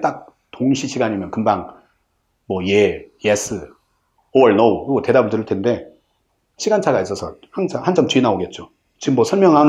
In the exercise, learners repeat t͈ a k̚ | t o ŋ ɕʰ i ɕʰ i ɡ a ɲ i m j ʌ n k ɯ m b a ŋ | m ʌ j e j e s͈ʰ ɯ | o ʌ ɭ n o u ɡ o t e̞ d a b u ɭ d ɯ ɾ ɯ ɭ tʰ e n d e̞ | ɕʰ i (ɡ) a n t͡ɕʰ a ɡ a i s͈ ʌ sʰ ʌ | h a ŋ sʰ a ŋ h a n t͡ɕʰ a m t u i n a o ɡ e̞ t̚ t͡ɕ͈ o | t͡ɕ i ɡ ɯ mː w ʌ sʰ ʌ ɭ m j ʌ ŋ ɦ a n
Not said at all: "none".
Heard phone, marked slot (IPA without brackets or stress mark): ɡ